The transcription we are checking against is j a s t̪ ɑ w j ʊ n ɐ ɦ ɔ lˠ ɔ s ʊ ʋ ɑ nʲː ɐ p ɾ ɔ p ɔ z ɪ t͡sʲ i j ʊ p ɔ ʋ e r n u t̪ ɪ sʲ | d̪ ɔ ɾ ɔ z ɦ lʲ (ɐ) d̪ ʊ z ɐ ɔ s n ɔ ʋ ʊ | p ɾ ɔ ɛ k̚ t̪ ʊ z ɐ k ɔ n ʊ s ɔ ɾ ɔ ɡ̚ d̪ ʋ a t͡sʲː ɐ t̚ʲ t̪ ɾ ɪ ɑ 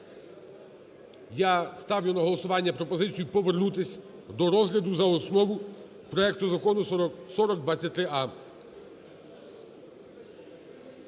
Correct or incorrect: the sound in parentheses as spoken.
correct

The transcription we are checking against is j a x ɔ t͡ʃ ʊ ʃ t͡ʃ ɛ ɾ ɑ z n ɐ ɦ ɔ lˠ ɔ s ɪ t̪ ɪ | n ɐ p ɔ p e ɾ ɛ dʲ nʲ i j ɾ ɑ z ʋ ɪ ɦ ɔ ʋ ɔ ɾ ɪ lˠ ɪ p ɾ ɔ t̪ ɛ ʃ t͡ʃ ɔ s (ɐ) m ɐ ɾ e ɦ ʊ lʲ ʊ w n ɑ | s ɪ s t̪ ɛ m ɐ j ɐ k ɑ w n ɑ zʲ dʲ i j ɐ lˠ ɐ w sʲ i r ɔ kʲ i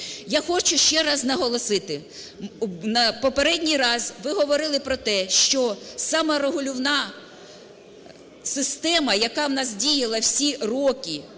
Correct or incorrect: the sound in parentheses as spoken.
incorrect: ɑ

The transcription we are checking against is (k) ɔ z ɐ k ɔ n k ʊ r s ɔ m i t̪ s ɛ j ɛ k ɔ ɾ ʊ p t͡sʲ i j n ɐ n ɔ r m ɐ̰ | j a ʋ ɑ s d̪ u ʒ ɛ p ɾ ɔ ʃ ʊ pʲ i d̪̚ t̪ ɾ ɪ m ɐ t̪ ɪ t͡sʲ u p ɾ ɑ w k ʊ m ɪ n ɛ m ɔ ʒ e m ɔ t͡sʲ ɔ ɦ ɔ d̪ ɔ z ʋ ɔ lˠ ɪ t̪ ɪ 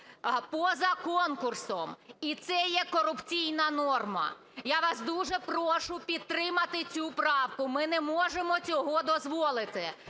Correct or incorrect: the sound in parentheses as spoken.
incorrect: p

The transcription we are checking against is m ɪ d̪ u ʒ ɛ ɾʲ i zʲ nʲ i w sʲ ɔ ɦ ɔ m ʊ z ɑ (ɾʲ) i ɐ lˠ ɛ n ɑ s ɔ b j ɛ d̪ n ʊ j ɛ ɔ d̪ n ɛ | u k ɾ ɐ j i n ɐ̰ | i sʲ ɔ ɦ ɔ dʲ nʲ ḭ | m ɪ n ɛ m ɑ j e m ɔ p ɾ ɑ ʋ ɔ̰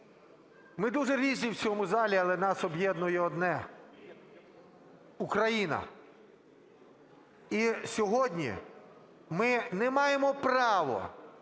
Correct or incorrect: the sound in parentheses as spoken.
incorrect: lʲ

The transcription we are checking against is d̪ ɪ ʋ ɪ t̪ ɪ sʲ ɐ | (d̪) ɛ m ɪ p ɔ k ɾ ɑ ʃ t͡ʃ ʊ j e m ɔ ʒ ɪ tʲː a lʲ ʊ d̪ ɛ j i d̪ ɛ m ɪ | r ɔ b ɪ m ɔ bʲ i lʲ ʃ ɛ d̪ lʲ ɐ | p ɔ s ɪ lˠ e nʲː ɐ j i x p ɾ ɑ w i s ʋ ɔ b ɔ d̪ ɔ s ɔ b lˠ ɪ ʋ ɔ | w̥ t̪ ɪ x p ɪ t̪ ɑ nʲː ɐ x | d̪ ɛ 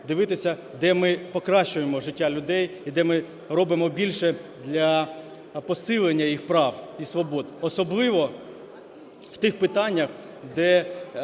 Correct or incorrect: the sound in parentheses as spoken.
correct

